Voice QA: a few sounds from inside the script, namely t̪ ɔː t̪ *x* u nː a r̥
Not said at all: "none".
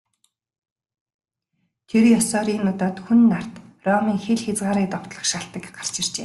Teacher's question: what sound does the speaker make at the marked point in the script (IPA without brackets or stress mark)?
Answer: x